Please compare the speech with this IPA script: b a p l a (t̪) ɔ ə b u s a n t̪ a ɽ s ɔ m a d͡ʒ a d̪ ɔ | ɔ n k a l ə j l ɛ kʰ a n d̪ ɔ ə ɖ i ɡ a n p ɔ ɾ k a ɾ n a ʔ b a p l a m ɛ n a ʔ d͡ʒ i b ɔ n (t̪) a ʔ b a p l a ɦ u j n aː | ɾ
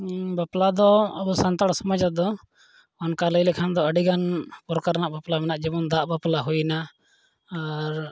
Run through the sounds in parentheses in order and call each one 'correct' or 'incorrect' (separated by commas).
incorrect, incorrect